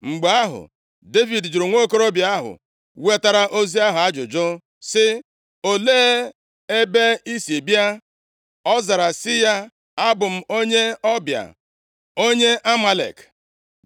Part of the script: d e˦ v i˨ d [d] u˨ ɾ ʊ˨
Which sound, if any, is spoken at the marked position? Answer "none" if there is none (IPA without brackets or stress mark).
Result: d͡ʒ